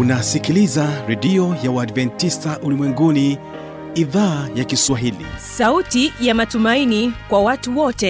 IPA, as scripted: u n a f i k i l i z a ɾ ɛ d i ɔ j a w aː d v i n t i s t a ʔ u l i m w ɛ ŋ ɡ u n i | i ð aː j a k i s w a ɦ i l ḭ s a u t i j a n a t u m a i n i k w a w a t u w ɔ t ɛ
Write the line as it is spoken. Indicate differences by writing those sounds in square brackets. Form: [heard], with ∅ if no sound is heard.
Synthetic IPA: u n a [s] i k i l i z a ɾ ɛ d i ɔ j a w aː d v [ɛ] n t i s t a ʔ u l i m w ɛ ŋ ɡ u n i | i ð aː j a k i s w a ɦ i l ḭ s a u t i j a [m] a t u m a i n i k w a w a t u w ɔ t ɛ